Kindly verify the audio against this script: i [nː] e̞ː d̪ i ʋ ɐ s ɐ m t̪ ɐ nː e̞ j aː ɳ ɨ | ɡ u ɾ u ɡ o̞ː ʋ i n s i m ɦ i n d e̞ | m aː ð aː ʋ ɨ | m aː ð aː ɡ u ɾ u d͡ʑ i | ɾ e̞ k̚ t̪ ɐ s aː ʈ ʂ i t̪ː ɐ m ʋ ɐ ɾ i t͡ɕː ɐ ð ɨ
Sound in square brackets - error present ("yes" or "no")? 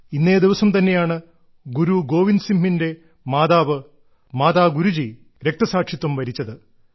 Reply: no